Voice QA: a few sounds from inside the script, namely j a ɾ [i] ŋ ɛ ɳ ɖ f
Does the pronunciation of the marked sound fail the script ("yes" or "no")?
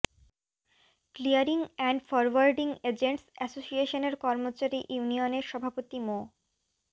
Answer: no